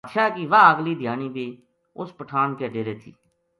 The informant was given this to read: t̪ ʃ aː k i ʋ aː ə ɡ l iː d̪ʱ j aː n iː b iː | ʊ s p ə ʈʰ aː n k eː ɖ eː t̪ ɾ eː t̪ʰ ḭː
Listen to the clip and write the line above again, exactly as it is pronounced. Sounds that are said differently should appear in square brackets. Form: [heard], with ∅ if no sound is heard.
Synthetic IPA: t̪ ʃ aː k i ʋ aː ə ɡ l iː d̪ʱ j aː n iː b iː | ʊ s p ə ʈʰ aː n k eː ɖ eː [∅] ɾ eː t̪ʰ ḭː